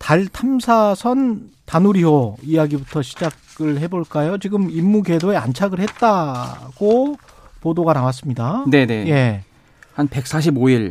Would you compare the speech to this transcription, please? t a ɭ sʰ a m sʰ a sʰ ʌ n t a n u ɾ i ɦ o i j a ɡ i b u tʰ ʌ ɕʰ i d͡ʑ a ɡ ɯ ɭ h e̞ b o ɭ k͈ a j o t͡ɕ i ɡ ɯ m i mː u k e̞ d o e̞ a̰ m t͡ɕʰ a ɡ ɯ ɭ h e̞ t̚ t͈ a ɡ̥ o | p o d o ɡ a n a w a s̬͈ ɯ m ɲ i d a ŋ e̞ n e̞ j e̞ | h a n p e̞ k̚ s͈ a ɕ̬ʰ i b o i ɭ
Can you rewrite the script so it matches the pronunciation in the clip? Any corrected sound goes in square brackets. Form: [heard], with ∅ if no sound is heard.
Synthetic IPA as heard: t a ɭ [tʰ] a m sʰ a sʰ ʌ n t a n u ɾ i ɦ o i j a ɡ i b u tʰ ʌ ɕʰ i d͡ʑ a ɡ ɯ ɭ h e̞ b o ɭ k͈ a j o t͡ɕ i ɡ ɯ m i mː u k e̞ d o e̞ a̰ [n] t͡ɕʰ a ɡ ɯ ɭ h e̞ t̚ t͈ a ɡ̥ o | p o d o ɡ a n a w a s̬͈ ɯ m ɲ i d a [n] e̞ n e̞ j e̞ | h a n p e̞ k̚ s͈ a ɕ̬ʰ i b o i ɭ